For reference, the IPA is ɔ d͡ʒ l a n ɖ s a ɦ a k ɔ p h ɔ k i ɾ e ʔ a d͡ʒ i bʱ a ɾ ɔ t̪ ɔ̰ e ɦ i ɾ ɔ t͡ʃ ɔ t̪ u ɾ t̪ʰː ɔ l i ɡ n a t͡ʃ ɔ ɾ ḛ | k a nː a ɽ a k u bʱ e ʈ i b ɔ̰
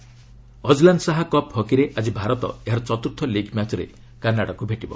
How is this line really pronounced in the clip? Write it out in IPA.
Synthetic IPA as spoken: ɔ d͡ʒ l a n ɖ s a ɦ a k ɔ p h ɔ k i ɾ e ʔ a d͡ʒ i bʱ a ɾ ɔ t̪ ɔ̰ e ɦ a ɾ ɔ t͡ʃ ɔ t̪ u ɾ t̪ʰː ɔ l i ɡ m a t͡ʃ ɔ ɾ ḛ | k a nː a ɽ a k u bʱ e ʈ i b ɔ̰